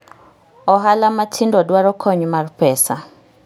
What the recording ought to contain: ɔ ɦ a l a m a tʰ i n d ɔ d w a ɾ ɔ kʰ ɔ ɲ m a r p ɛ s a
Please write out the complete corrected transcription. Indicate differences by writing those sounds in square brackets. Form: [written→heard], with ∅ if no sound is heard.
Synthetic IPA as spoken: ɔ ɦ a l a m a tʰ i n d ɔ d w a ɾ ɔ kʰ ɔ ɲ m a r p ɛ s a